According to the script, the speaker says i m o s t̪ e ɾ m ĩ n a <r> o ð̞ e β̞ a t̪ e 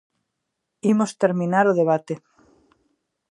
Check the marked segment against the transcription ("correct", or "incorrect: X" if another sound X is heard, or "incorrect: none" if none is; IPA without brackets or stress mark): incorrect: ɾ